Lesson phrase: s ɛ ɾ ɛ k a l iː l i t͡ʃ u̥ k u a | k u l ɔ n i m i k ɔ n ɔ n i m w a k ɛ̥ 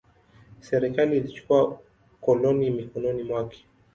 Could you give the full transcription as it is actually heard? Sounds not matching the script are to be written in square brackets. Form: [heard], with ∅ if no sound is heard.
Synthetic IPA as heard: s ɛ ɾ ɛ k a l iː l i t͡ʃ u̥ k u a | k [ɔ] l ɔ n i m i k ɔ n ɔ n i m w a k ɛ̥